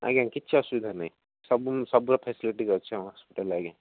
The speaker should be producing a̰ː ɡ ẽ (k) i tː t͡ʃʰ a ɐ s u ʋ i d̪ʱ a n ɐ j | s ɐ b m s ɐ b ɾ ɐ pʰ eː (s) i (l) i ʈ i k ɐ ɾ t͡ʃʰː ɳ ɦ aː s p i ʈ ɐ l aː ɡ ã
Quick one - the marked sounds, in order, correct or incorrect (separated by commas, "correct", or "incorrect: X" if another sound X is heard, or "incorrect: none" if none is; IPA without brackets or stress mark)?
correct, correct, correct